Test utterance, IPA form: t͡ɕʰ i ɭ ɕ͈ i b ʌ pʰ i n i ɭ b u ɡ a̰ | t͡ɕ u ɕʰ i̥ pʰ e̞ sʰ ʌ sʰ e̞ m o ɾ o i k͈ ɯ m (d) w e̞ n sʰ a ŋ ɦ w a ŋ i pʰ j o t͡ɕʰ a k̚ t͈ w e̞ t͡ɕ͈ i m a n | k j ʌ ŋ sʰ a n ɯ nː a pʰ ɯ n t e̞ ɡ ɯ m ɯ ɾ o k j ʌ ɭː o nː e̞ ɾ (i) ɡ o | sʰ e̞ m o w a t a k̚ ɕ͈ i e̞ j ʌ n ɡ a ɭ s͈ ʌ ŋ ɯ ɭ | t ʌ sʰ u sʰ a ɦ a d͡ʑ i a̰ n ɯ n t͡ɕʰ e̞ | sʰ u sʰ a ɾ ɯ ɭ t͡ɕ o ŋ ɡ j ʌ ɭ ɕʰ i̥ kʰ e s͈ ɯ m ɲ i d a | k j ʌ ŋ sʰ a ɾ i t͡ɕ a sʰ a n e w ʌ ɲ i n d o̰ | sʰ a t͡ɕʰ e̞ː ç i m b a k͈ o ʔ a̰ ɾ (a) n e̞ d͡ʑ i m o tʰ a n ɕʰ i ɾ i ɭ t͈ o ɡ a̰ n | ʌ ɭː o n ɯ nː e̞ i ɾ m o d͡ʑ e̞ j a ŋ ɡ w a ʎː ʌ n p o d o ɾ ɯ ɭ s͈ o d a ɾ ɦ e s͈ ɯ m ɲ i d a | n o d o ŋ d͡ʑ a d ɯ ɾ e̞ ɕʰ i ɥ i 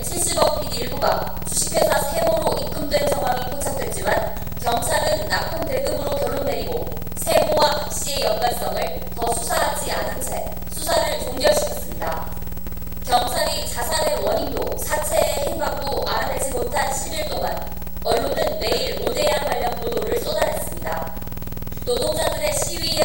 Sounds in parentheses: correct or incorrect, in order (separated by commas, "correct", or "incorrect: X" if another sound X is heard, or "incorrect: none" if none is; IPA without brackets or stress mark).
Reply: correct, correct, correct